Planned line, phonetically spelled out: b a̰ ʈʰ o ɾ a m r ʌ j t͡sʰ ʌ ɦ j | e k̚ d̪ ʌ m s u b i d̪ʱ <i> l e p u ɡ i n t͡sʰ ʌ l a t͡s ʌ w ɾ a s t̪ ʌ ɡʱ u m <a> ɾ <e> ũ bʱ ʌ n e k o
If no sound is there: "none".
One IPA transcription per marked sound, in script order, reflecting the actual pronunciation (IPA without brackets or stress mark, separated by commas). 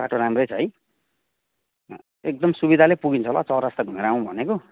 a, e, a